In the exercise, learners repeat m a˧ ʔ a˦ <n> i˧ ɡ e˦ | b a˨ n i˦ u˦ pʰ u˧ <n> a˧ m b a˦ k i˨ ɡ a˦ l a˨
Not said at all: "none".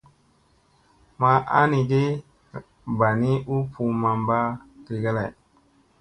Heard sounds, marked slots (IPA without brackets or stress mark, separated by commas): n, m